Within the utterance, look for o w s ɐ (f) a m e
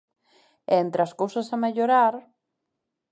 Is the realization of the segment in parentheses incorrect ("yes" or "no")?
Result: yes